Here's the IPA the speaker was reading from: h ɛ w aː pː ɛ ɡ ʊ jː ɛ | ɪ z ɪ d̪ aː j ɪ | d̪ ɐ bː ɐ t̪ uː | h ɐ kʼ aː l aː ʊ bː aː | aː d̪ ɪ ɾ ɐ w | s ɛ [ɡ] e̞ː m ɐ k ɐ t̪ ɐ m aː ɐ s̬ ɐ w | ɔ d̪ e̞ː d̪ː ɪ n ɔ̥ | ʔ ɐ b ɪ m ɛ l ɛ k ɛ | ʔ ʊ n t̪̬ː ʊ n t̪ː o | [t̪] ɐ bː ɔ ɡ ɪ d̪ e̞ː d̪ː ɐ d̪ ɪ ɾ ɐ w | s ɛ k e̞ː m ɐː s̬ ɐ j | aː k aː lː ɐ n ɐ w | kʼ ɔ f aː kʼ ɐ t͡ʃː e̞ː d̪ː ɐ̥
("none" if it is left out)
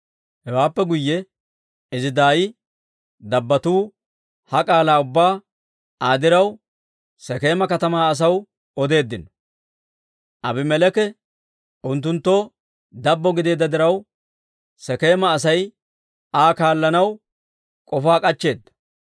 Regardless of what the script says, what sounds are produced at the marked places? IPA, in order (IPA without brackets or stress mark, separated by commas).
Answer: k, d̪